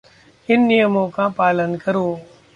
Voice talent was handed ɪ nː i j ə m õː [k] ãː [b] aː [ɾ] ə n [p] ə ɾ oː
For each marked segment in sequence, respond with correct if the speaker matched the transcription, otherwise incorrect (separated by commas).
correct, incorrect, incorrect, incorrect